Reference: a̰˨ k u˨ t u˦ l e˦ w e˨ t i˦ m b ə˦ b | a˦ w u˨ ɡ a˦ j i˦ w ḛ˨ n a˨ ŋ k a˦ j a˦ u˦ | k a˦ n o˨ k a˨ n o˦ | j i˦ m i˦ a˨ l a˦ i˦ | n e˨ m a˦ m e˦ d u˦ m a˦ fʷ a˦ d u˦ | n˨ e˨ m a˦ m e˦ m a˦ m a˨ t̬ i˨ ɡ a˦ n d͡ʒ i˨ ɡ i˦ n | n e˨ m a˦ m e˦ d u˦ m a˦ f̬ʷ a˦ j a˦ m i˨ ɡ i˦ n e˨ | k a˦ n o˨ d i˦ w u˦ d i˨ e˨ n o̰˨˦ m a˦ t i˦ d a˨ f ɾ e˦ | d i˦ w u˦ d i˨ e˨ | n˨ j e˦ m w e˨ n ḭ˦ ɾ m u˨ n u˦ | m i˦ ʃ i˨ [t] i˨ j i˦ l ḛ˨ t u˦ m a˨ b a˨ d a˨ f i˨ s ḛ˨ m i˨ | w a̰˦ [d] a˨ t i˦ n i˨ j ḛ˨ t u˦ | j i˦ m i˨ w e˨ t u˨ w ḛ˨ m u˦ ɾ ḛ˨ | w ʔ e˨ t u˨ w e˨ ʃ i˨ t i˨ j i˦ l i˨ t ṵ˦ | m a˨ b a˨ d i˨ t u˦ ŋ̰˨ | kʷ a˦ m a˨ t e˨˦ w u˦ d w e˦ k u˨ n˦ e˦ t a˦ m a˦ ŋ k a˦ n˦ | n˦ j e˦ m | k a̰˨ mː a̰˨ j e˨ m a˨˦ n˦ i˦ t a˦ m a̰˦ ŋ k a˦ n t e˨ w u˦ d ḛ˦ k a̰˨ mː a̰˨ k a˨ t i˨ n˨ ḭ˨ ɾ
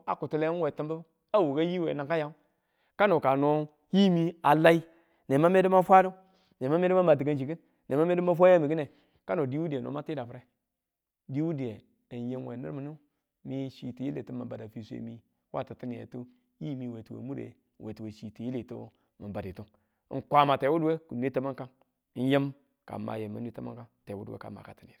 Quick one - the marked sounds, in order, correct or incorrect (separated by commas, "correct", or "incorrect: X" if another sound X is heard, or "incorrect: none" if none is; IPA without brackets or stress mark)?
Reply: correct, incorrect: t